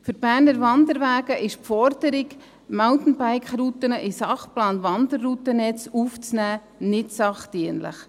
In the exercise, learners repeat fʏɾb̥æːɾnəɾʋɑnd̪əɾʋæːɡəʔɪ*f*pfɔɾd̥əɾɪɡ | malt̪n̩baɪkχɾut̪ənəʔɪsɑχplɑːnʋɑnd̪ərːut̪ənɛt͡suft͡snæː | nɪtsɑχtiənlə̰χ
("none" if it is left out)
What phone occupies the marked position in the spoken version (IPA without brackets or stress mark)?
ʃ